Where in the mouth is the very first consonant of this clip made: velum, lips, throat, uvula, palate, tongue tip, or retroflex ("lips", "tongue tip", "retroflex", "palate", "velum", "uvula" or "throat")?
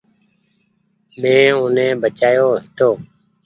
lips